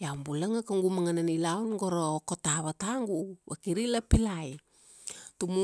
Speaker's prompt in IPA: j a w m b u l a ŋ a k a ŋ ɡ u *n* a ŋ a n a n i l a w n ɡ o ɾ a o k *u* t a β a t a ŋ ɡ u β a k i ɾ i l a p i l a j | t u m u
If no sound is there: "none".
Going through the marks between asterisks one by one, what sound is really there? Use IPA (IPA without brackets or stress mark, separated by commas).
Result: m, o